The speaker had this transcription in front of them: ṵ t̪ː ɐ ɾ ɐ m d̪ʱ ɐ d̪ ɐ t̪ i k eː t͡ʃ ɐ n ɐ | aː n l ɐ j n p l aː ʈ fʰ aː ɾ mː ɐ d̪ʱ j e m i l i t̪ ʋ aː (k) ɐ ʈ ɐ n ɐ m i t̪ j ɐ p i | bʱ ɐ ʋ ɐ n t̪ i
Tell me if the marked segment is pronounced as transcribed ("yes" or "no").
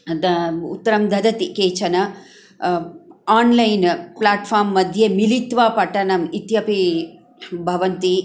no